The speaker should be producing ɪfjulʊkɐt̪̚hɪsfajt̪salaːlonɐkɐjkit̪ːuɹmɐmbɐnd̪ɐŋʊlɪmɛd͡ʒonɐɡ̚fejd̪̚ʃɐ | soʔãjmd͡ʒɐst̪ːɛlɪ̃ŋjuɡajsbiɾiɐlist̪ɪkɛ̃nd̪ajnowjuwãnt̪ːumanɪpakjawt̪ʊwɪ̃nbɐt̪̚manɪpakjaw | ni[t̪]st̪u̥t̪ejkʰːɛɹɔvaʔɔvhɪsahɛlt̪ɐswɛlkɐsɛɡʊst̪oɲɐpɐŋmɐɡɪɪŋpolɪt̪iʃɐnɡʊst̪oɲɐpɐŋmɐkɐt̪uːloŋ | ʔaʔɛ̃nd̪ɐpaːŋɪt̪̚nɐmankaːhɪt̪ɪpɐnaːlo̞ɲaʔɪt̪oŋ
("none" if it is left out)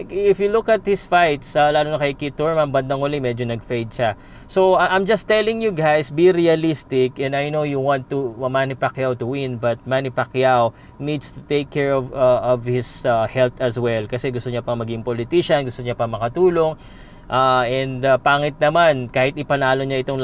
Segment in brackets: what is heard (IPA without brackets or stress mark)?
d̪